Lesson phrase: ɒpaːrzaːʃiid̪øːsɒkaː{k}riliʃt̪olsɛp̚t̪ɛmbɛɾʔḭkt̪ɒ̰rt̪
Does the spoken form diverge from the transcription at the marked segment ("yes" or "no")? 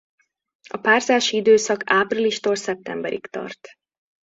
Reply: yes